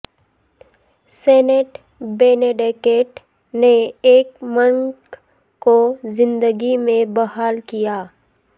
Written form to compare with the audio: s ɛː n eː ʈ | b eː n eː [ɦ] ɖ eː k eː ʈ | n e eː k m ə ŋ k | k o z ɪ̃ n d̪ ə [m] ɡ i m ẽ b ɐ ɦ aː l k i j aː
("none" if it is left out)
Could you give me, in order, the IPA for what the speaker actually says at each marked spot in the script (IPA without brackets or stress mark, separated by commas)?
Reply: none, none